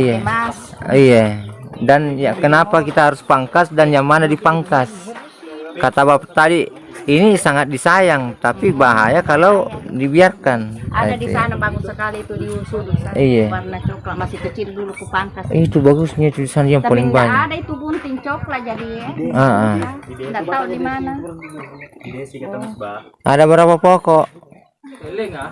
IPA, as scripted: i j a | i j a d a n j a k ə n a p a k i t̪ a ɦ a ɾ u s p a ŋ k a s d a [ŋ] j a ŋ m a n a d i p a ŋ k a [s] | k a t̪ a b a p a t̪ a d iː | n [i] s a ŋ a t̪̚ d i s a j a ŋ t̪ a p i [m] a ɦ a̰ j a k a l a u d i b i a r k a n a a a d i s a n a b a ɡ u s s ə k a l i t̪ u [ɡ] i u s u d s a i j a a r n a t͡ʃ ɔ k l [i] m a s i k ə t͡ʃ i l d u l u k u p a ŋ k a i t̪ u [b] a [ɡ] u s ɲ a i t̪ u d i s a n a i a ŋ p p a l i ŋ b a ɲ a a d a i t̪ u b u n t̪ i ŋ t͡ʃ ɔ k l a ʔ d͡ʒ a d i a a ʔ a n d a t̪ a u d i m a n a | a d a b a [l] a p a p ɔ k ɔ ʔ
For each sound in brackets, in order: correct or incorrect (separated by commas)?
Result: incorrect, correct, correct, incorrect, incorrect, incorrect, correct, correct, incorrect